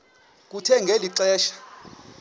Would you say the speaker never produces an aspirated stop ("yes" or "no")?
no